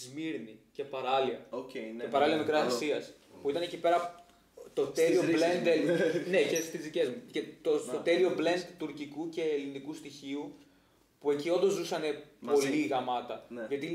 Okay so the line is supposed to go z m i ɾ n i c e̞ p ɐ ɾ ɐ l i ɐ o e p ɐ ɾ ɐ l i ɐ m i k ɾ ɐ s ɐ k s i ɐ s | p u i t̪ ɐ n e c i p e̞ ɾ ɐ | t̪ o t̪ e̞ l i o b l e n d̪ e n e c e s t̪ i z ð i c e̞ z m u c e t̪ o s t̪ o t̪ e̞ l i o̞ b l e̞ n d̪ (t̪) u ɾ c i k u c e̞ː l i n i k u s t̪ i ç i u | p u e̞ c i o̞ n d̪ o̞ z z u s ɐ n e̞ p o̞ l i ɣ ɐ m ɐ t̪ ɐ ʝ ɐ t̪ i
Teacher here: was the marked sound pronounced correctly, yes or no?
yes